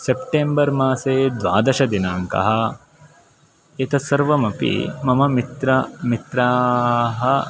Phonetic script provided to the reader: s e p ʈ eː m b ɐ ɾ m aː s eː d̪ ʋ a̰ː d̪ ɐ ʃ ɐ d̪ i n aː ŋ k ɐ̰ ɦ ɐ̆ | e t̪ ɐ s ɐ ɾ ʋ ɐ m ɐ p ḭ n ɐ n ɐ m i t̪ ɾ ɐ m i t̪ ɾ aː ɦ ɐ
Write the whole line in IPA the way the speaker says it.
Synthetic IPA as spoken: s e p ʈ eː m b ɐ ɾ m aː s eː d̪ ʋ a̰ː d̪ ɐ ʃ ɐ d̪ i n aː ŋ k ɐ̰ ɦ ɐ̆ | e t̪ ɐ s ɐ ɾ ʋ ɐ m ɐ p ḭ m ɐ m ɐ m i t̪ ɾ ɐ m i t̪ ɾ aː ɦ ɐ